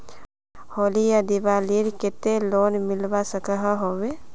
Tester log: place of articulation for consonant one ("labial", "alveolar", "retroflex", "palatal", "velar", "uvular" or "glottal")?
glottal